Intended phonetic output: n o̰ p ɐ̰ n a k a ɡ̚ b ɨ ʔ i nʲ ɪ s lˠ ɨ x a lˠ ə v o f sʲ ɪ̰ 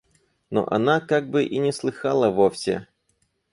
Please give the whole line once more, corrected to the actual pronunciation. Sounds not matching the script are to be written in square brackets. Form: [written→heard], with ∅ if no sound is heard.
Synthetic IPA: n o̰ [p→ʔ] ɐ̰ n a k a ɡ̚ b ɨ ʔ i nʲ ɪ s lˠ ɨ x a lˠ ə v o f sʲ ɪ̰